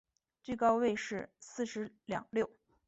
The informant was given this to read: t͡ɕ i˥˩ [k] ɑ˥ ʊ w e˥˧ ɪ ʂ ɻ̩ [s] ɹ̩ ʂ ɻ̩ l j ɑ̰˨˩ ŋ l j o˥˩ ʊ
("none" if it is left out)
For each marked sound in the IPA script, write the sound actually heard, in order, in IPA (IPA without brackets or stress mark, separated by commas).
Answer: k, s